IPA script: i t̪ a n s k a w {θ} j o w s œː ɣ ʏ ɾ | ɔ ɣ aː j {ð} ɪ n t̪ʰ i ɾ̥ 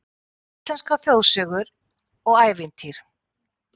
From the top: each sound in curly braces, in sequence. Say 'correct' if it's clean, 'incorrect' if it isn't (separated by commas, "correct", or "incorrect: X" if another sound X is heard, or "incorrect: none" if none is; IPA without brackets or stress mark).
correct, incorrect: v